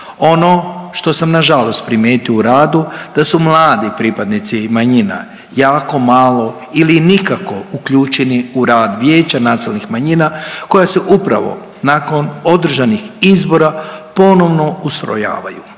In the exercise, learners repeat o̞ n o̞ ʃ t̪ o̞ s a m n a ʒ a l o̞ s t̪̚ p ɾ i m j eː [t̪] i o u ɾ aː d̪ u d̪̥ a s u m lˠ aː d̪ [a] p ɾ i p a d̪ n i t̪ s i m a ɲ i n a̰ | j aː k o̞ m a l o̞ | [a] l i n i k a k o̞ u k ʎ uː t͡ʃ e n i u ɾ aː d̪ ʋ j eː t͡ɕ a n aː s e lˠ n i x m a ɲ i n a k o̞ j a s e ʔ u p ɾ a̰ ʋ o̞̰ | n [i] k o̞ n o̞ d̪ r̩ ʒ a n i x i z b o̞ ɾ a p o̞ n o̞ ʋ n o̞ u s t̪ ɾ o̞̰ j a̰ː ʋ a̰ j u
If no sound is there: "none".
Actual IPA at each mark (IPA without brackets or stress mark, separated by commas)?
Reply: t̪, i, i, a